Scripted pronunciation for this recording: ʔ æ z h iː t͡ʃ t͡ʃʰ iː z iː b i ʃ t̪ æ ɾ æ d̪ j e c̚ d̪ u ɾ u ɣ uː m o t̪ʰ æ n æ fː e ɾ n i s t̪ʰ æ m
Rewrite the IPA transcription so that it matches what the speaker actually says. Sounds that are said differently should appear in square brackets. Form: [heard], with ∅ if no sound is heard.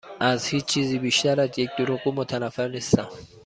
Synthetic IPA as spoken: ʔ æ z h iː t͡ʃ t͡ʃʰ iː z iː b i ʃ t̪ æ ɾ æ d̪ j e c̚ d̪ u ɾ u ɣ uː m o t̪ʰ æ n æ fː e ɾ n i s [t̪] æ m